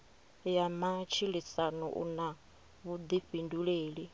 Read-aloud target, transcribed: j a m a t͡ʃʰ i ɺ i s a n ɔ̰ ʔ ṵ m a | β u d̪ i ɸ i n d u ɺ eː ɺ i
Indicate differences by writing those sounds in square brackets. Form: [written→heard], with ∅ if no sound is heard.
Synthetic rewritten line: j a m a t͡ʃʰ i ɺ i s a n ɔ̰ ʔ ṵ [m→n] a | β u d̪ i ɸ i n d u ɺ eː ɺ i